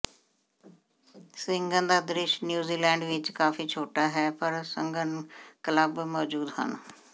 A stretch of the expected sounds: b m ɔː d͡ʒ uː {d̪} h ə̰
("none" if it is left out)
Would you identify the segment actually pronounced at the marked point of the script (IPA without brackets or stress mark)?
d̪